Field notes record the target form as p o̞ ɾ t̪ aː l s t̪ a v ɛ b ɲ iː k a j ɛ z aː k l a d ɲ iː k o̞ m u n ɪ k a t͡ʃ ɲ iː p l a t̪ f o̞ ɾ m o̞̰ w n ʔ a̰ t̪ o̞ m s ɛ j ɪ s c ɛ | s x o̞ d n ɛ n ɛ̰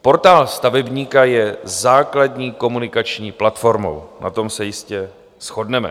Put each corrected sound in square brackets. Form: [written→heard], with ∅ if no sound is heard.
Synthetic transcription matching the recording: p o̞ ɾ t̪ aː l s t̪ a v ɛ b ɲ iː k a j ɛ z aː k l a d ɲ iː k o̞ m u n ɪ k a t͡ʃ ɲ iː p l a t̪ f o̞ ɾ m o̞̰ w n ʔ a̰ t̪ o̞ m s ɛ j ɪ s c ɛ | s x o̞ d n ɛ [n→m] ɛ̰